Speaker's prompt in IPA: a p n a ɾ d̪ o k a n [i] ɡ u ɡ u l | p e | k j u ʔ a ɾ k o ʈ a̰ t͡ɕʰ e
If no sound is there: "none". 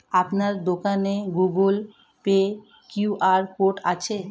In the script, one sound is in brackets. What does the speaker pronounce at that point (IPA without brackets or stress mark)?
e